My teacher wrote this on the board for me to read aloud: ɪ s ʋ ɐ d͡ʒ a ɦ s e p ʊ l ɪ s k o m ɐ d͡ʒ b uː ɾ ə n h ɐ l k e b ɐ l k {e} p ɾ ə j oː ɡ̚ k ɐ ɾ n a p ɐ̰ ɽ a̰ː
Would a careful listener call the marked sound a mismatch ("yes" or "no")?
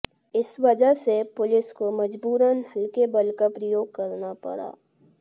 yes